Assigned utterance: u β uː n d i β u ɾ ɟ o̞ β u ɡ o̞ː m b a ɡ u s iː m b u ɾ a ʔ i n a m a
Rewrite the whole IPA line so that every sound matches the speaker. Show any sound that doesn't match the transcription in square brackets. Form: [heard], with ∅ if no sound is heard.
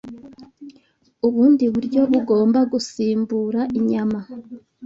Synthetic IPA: u β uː n d i β u ɾ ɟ o̞ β u ɡ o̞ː m b a ɡ u s iː m b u ɾ a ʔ i [ɲ] a m a